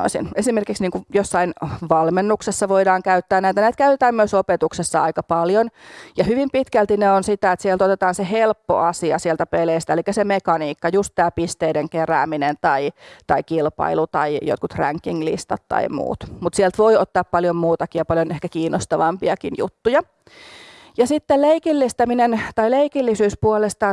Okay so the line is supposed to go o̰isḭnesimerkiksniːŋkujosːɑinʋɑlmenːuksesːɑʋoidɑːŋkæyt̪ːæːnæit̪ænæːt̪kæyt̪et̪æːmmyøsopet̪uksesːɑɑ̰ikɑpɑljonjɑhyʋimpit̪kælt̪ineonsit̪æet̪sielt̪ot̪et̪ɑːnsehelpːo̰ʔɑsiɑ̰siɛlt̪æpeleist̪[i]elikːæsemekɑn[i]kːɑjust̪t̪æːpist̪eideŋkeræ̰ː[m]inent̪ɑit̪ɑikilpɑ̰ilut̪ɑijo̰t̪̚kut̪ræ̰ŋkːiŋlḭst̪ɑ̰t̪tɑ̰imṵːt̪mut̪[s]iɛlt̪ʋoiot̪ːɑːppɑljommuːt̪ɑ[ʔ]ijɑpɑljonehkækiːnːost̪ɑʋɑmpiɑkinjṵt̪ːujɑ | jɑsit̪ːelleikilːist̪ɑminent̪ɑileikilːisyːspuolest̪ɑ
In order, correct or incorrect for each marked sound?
incorrect: æ, incorrect: iː, correct, correct, incorrect: k

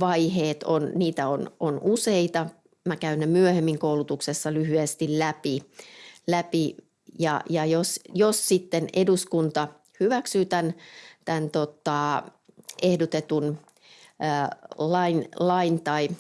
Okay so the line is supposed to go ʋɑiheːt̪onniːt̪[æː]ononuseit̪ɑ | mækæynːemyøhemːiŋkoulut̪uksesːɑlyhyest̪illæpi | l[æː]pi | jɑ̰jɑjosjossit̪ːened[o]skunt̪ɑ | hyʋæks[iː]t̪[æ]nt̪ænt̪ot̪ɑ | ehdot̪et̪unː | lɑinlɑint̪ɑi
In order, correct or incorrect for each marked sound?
incorrect: æ, incorrect: æ, incorrect: u, incorrect: yː, correct

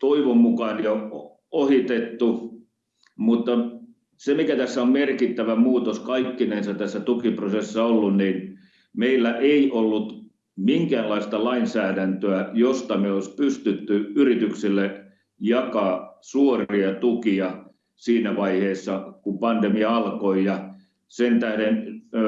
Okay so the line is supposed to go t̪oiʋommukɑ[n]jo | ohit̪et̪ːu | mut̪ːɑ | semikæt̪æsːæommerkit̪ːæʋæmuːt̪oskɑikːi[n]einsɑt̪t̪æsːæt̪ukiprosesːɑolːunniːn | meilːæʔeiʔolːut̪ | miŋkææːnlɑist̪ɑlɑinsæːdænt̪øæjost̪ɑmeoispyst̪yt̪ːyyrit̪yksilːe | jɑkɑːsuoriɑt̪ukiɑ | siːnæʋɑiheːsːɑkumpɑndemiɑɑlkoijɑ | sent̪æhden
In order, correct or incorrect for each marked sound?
correct, correct

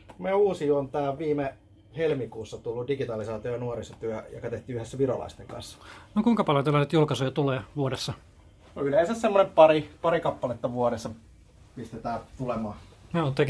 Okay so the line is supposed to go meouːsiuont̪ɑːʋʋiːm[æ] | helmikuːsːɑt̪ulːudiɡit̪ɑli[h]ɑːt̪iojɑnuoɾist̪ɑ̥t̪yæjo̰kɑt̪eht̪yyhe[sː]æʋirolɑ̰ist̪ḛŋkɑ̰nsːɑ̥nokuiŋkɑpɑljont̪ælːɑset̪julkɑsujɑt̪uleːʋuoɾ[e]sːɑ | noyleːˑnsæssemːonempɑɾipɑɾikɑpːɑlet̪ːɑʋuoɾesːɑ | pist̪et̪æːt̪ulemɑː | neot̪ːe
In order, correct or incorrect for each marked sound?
incorrect: e, incorrect: s, correct, correct

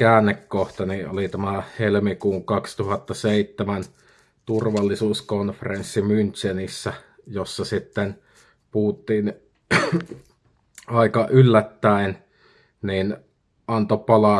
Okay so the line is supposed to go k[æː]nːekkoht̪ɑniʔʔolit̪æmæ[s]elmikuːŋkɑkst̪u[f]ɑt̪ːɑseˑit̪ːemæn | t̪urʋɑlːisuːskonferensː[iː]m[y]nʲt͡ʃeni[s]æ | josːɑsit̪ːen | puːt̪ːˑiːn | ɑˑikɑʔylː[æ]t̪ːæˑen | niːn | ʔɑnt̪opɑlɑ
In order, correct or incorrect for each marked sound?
correct, incorrect: h, incorrect: h, incorrect: i, correct, incorrect: sː, correct

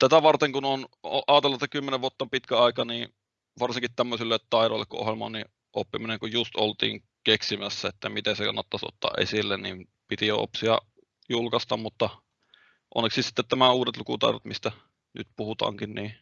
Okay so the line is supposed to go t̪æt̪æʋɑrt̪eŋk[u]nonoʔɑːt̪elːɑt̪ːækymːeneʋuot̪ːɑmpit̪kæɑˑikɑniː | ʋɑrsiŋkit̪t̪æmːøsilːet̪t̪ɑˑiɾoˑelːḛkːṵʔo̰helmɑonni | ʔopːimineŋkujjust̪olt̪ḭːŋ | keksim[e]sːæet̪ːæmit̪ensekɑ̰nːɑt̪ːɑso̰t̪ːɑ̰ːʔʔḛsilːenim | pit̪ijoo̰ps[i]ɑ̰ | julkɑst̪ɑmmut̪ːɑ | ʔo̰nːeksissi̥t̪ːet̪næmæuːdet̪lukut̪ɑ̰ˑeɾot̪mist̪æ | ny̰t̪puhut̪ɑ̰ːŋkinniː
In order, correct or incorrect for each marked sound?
correct, incorrect: æ, correct

